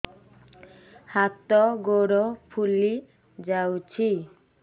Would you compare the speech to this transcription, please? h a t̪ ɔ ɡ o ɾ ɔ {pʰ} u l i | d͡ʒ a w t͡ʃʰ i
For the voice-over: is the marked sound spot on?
yes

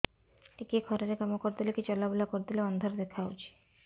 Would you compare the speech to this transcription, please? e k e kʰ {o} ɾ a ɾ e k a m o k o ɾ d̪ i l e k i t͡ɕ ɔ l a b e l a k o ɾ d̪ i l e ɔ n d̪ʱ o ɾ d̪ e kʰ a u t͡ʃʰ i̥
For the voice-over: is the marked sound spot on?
no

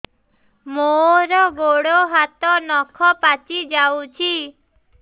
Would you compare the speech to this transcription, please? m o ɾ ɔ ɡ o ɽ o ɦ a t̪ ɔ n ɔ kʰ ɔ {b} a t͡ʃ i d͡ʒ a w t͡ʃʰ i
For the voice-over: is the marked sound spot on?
no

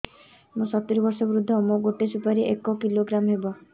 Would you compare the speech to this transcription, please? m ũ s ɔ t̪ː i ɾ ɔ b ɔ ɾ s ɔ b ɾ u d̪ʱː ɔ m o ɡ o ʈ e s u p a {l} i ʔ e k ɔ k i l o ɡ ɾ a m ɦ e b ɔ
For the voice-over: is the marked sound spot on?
no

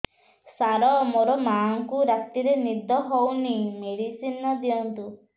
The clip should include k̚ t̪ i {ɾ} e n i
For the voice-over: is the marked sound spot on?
yes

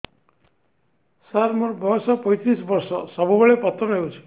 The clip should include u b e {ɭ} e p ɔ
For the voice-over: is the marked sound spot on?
yes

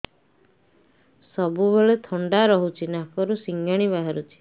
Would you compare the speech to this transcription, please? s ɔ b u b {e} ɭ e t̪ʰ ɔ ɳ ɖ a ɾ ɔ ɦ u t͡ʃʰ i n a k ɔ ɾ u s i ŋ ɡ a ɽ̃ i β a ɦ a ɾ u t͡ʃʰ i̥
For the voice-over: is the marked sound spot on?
yes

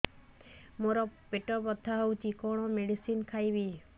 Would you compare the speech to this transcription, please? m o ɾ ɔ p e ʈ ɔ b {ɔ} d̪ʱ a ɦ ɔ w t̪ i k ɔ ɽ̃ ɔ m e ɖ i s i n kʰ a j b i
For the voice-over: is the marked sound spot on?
yes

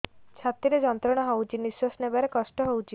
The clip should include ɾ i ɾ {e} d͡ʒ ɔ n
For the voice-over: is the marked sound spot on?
yes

